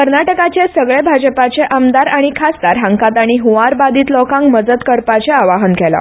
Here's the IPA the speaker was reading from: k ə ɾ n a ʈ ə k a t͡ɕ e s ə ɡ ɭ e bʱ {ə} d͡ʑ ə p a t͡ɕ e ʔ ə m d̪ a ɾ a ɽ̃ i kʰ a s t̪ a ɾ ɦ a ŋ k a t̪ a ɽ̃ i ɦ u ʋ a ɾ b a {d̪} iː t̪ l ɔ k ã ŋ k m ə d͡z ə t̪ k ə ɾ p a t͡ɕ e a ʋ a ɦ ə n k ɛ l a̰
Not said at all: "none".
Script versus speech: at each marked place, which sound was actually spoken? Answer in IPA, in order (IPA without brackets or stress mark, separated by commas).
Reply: a, d̪